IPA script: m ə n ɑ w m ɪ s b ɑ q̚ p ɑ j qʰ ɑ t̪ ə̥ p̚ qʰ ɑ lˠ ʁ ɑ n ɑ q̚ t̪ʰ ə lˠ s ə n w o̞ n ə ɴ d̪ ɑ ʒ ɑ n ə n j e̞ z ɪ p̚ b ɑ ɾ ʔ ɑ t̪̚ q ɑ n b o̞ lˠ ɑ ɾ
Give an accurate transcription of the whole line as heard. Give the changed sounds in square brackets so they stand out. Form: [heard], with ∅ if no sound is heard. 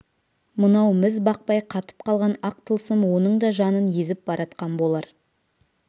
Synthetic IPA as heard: m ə n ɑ w m ɪ [z] b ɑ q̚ p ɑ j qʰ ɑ t̪ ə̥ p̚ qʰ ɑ lˠ ʁ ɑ n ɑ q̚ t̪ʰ ə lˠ s ə [m] w o̞ n ə ɴ d̪ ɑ ʒ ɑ n ə n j e̞ z ɪ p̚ b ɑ ɾ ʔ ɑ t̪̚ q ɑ n b o̞ lˠ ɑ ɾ